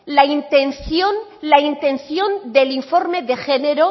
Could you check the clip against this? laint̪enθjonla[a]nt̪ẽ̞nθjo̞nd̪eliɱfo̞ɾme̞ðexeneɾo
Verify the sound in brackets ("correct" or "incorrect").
incorrect